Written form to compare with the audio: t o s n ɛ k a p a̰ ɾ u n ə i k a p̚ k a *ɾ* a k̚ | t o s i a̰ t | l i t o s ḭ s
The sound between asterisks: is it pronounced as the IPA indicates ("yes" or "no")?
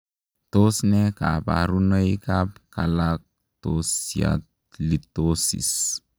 no